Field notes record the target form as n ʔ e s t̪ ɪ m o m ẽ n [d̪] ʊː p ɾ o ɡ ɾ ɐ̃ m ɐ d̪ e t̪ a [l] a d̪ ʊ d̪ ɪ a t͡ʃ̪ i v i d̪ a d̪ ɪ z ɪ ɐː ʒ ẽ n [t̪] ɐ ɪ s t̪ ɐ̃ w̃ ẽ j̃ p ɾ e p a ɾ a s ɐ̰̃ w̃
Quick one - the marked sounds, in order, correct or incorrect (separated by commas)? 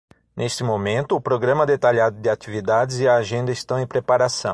incorrect, incorrect, incorrect